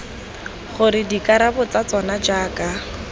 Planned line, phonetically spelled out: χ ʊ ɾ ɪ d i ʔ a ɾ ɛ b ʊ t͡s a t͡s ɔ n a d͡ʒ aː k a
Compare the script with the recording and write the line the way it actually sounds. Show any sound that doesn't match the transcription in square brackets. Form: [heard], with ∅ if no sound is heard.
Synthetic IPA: χ ʊ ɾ ɪ d i [k] a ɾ [a] b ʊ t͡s a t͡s ɔ n a d͡ʒ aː k a